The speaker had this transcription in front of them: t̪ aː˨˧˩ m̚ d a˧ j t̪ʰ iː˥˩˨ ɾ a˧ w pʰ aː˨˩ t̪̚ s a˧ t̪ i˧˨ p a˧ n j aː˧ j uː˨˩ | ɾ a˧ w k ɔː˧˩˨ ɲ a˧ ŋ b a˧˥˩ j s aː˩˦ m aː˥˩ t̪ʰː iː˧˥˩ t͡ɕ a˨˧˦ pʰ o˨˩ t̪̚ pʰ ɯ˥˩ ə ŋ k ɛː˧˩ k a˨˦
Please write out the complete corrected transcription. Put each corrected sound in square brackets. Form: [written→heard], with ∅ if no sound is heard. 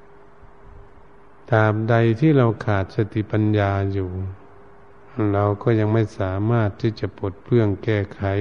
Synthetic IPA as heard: t̪ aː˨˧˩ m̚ d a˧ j t̪ʰ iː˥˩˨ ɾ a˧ w [pʰ→kʰ] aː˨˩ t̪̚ s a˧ t̪ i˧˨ p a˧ n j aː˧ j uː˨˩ | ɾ a˧ w k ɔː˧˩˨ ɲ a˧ ŋ [b→m] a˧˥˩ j s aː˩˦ m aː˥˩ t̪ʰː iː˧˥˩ t͡ɕ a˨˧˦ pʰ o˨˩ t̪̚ pʰ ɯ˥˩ ə ŋ k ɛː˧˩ [k→kʰ] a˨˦